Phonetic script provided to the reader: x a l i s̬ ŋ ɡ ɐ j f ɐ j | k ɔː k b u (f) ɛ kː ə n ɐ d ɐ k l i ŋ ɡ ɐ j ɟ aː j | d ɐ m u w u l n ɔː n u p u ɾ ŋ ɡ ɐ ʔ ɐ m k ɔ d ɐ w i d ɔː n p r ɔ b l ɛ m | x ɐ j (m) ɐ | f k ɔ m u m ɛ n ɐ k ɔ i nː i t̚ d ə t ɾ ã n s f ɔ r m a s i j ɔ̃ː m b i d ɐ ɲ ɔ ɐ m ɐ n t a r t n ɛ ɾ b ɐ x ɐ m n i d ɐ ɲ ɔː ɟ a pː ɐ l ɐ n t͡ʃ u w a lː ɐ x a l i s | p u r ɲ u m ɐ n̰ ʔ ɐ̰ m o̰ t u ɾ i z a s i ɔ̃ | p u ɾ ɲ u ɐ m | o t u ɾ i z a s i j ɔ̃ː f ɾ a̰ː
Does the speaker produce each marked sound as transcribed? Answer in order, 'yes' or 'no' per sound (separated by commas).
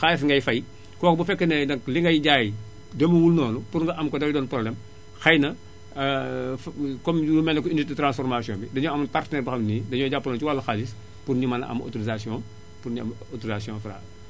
yes, no